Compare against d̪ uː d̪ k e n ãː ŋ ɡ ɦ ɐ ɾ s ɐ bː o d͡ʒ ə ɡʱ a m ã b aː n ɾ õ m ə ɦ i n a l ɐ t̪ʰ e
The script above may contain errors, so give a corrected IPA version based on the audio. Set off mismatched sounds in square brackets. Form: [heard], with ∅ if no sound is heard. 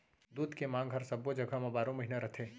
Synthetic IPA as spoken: d̪ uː d̪ k e [m] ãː ŋ ɡ ɦ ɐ ɾ s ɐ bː o d͡ʒ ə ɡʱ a m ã b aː [∅] ɾ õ m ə ɦ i n a [ɾ] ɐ t̪ʰ e